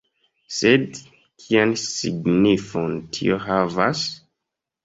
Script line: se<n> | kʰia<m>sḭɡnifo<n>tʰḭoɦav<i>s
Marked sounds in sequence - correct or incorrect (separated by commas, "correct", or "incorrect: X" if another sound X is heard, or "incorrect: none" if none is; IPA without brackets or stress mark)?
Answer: incorrect: d, incorrect: n, correct, incorrect: a